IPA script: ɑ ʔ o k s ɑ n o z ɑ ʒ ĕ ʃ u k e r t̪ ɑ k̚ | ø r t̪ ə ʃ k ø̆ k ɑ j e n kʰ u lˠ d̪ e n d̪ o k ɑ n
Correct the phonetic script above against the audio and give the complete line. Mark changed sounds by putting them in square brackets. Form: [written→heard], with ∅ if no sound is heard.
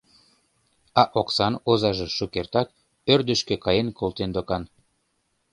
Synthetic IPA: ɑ ʔ o k s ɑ n o z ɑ ʒ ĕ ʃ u k e r t̪ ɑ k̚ | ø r [t̪→d̪] ə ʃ k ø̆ k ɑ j e n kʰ [u→o] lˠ [d̪→t̪] e n d̪ o k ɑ n